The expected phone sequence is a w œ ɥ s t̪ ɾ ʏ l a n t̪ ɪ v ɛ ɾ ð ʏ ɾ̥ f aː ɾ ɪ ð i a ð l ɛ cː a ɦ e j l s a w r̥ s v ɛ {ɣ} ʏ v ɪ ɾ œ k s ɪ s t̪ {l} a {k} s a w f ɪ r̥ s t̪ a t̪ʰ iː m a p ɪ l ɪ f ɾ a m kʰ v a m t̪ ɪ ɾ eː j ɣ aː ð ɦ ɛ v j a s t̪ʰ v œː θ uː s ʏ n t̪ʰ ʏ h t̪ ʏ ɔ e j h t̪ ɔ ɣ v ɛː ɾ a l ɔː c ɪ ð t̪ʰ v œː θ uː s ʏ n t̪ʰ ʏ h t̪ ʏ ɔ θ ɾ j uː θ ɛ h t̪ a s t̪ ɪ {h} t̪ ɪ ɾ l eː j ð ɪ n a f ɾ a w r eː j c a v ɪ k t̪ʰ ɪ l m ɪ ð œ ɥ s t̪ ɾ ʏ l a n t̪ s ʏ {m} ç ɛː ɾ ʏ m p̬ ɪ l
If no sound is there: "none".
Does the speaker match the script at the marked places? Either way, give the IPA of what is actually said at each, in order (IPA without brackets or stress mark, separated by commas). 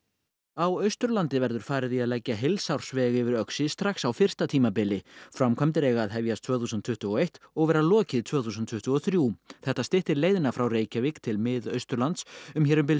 ɣ, ɾ, x, h, m